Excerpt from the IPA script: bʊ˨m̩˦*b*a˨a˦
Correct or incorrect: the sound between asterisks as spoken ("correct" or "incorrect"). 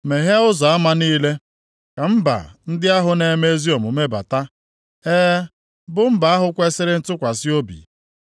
correct